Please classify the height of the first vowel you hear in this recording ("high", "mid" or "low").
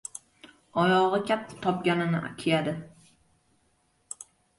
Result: low